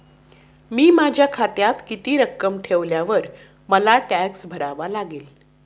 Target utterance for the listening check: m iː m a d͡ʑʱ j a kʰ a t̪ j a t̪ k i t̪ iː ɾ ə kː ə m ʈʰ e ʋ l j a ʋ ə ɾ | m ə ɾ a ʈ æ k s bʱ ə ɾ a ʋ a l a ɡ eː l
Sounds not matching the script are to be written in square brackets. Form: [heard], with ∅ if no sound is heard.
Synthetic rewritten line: m iː m a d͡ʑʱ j a kʰ a t̪ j a t̪ k i t̪ iː ɾ ə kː ə m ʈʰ e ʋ l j a ʋ ə ɾ | m ə [l] a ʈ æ k s bʱ ə ɾ a ʋ a l a ɡ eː l